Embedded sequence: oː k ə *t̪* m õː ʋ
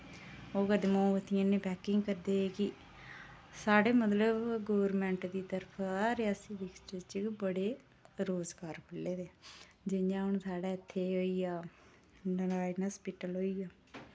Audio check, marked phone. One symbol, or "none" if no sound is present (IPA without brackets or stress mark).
d̪